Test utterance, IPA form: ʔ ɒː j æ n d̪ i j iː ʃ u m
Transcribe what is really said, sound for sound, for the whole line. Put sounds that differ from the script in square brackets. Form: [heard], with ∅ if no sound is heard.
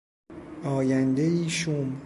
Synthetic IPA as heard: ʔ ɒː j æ n d̪ [e] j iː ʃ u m